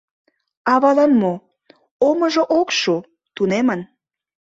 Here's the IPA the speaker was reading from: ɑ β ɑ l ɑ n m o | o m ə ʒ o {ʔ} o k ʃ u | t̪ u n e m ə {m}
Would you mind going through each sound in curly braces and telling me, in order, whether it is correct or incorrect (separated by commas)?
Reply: correct, incorrect